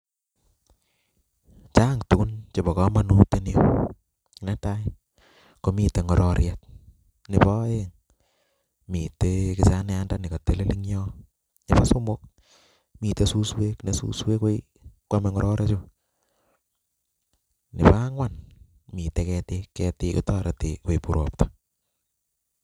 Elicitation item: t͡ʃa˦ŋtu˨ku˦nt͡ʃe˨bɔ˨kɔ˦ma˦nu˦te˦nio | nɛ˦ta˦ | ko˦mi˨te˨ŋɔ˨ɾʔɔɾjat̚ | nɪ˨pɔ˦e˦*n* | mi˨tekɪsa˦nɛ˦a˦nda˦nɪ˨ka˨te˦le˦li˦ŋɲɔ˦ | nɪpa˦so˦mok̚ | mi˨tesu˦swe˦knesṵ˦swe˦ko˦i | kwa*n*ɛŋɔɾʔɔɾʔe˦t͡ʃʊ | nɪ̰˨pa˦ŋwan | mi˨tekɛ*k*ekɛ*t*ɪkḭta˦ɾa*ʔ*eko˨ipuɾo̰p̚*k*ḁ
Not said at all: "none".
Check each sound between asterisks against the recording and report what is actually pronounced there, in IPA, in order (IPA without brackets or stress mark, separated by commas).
ŋ, m, t, t, t, t